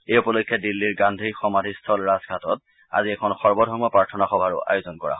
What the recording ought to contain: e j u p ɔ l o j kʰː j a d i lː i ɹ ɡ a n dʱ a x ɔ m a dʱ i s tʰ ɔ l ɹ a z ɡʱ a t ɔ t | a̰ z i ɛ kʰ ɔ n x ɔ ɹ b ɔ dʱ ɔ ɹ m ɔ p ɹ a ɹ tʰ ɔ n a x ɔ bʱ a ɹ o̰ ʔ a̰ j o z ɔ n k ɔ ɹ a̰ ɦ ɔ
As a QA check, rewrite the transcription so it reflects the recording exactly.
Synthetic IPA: e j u p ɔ l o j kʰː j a d i lː i ɹ ɡ a n dʱ i x ɔ m a dʱ i s tʰ ɔ l ɹ a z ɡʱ a t ɔ t | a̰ z i ɛ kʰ ɔ n x ɔ ɹ b ɔ dʱ ɔ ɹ m ɔ p ɹ a ɹ tʰ ɔ n a x ɔ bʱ a ɹ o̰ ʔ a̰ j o z ɔ n k ɔ ɹ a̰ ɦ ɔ